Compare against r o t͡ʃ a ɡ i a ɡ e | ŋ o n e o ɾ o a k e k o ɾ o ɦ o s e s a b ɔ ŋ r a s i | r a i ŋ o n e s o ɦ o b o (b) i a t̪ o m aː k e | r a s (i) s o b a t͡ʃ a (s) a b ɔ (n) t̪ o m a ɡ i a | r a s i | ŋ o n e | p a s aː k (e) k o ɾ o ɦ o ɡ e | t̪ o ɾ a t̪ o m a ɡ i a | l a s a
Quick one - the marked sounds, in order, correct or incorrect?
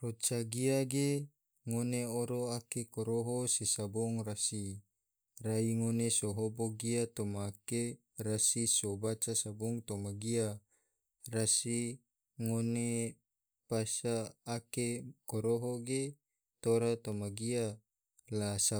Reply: incorrect: ɡ, correct, correct, incorrect: ŋ, correct

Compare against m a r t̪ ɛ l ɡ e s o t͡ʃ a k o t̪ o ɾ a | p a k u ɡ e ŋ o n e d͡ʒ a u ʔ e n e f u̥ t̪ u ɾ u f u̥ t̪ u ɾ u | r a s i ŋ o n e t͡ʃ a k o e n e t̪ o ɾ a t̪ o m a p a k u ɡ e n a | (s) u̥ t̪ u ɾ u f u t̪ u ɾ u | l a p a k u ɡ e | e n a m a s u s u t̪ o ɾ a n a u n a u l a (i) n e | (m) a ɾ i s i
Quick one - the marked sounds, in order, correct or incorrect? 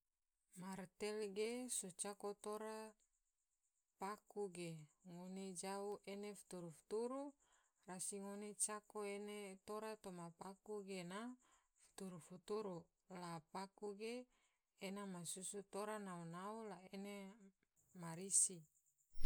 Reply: incorrect: f, incorrect: e, correct

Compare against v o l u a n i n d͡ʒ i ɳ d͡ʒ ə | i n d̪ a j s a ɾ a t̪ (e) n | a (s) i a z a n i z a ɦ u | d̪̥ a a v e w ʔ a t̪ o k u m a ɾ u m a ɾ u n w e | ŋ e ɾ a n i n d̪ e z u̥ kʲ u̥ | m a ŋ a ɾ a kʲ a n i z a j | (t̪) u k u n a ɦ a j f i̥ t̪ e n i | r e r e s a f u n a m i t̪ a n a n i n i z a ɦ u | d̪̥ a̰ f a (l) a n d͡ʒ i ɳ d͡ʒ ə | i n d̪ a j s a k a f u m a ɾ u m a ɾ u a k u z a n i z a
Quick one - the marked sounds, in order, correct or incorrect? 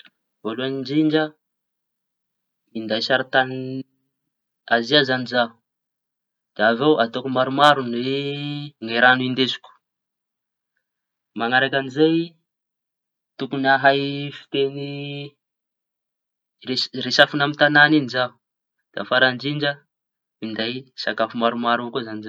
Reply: incorrect: a, incorrect: z, correct, incorrect: ɾ

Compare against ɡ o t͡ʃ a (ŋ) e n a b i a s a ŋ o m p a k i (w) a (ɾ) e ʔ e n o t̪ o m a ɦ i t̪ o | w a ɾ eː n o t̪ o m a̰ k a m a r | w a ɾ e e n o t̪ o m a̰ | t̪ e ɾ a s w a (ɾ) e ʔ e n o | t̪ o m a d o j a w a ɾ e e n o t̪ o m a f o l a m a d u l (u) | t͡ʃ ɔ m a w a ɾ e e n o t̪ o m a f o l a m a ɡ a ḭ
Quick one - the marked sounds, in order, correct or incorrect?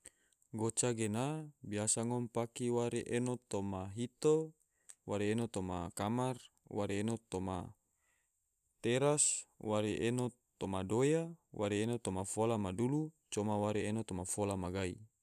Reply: incorrect: ɡ, correct, correct, correct, correct

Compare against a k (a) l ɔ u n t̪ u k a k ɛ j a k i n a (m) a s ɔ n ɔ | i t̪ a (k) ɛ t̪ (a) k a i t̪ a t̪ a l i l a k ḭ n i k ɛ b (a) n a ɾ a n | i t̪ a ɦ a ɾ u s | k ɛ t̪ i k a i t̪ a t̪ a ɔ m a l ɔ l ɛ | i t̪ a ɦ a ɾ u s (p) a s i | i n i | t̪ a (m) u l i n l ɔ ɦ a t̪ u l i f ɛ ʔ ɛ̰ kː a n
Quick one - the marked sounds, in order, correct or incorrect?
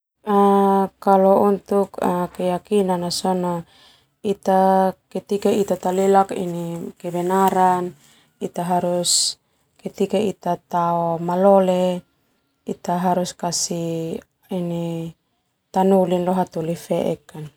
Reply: correct, incorrect: n, correct, incorrect: i, incorrect: ɛ, incorrect: k, incorrect: n

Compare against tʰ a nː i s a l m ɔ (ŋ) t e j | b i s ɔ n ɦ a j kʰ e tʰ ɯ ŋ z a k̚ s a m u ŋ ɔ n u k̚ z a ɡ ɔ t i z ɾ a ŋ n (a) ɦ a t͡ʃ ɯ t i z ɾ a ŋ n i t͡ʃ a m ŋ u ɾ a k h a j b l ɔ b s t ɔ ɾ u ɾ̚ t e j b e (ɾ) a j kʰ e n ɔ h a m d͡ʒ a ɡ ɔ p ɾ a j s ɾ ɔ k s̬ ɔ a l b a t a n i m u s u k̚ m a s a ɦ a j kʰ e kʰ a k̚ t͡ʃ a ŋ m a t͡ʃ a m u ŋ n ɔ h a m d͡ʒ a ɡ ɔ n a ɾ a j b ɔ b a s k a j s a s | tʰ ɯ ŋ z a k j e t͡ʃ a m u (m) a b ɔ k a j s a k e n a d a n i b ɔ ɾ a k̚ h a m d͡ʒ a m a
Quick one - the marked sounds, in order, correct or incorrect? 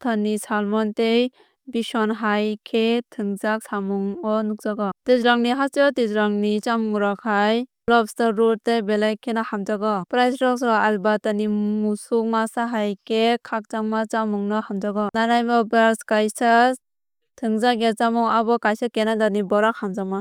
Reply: incorrect: n, incorrect: i, incorrect: l, incorrect: ŋ

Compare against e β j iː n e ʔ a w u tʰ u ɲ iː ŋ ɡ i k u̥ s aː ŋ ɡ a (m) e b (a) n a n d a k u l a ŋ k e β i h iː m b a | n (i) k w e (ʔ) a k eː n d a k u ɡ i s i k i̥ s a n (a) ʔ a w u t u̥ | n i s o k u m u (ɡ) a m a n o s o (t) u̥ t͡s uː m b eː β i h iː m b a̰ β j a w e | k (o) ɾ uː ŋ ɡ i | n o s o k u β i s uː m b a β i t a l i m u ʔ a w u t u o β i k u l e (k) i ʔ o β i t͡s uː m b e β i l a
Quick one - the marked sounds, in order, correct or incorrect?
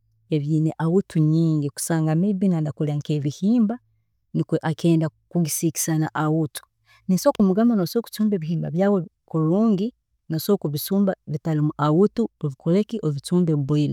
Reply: correct, incorrect: i, correct, correct, correct, correct, incorrect: k, incorrect: u, correct

